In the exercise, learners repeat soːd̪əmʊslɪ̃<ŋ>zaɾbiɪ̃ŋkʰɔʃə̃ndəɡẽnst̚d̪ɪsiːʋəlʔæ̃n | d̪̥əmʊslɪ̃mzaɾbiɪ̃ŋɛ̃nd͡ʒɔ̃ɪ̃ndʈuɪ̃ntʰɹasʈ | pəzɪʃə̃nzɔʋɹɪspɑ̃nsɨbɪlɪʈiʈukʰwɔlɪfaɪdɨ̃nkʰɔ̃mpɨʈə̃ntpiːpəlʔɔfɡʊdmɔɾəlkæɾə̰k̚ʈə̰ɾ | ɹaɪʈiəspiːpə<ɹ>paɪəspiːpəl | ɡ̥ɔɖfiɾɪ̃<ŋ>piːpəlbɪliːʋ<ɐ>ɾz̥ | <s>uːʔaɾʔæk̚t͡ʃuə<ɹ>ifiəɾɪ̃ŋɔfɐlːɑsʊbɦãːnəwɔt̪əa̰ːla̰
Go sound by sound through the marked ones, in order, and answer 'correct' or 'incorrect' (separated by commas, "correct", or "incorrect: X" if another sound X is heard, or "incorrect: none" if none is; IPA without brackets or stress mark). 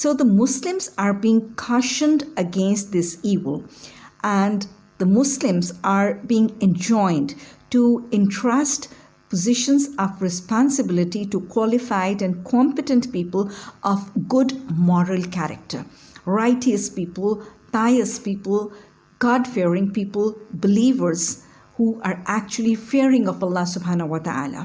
incorrect: m, incorrect: l, correct, incorrect: ə, incorrect: h, incorrect: l